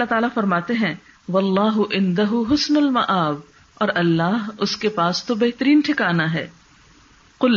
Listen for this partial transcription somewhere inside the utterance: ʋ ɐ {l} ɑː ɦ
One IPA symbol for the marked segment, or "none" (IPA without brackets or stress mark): lː